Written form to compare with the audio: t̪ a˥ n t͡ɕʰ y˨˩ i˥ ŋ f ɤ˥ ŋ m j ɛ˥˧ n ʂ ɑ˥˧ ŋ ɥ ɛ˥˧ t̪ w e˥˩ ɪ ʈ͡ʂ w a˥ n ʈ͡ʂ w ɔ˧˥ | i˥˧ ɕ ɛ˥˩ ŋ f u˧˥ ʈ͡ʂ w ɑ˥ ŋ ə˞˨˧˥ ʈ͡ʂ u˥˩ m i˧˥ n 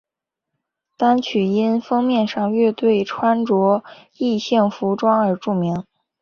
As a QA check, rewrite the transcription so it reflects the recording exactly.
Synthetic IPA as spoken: t̪ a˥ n t͡ɕʰ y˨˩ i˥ n f ɤ˥ ŋ m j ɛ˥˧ n ʂ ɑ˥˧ ŋ ɥ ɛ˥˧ t̪ w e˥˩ ɪ ʈ͡ʂʰ w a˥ n ʈ͡ʂ w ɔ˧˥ | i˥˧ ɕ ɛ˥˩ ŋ f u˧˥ ʈ͡ʂ w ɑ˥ ŋ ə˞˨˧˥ ʈ͡ʂ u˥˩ m i˧˥ ŋ

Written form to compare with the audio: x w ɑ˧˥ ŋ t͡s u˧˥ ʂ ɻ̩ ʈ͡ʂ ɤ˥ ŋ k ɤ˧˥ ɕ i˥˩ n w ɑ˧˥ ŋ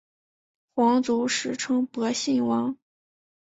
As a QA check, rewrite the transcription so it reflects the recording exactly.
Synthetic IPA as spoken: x w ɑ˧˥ ŋ t͡s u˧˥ ʂ ɻ̩ ʈ͡ʂʰ ɤ˥ ŋ p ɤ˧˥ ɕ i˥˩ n w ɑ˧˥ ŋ

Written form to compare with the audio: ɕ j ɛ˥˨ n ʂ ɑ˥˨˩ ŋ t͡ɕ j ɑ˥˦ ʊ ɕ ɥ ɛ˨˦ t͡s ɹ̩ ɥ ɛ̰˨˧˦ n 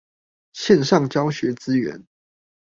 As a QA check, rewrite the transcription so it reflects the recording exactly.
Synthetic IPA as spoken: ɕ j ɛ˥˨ n ʂ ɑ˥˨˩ ŋ t͡ɕ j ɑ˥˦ ʊ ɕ ɥ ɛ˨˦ t͡s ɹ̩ ɥ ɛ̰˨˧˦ n

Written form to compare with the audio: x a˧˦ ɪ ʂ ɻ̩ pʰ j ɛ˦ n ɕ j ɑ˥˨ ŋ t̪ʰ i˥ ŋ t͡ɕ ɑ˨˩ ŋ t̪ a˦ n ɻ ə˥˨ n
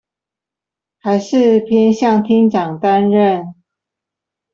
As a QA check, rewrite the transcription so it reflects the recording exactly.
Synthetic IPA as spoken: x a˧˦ ɪ ʂ ɻ̩ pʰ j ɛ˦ n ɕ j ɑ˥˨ ŋ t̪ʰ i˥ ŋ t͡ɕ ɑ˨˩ ŋ t̪ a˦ n ɻ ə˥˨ n

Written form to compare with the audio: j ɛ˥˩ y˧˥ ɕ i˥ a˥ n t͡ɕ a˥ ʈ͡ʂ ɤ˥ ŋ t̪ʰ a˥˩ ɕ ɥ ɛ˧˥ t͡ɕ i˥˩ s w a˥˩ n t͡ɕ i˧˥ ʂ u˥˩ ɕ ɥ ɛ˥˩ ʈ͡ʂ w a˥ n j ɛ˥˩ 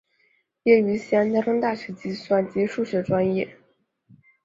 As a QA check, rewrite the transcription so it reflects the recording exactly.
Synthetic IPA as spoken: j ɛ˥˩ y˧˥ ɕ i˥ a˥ n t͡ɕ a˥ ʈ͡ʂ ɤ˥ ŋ t̪ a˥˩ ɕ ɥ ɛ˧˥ t͡ɕ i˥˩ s w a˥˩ n t͡ɕ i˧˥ ʂ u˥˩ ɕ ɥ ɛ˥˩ ʈ͡ʂ w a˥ n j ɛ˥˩

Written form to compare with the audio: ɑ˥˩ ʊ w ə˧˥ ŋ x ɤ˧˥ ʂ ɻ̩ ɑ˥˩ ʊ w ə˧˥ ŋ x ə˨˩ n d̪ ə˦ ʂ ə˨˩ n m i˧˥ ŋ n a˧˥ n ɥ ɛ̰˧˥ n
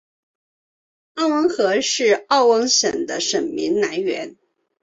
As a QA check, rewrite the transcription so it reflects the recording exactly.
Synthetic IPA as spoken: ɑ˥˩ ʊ w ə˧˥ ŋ x ɤ˧˥ ʂ ɻ̩ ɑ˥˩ ʊ w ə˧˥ ŋ ɕ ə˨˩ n d̪ ə˦ ʂ ə˨˩ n m i˧˥ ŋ n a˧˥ n ɥ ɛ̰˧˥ n

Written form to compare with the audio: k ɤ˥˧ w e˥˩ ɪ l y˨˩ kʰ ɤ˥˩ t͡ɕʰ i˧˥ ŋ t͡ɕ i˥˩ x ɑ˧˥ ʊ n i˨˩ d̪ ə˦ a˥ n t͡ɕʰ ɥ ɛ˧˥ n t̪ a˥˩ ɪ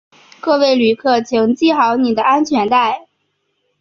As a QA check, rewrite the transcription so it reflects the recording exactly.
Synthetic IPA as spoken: k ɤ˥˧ w e˥˩ ɪ l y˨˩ kʰ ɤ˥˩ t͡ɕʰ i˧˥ ŋ t͡ɕ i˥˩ x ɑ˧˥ ʊ n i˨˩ d̪ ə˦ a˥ n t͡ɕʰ ɥ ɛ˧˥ n t̪ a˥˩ ɪ

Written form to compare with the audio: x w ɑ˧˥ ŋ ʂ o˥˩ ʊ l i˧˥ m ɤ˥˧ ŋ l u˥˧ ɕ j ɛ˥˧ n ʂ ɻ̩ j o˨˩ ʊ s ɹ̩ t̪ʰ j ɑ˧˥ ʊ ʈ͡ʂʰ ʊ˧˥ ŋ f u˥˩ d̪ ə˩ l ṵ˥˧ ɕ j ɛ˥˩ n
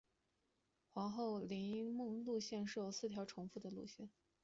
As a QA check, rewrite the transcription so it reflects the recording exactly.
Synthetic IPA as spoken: x w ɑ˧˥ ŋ x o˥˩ ʊ l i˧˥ m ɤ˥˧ ŋ l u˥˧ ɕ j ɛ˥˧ n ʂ ɻ̩ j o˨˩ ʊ s ɹ̩ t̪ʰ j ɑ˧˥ ʊ ʈ͡ʂʰ ʊ˧˥ ŋ f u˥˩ d̪ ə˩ l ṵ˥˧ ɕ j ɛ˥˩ n

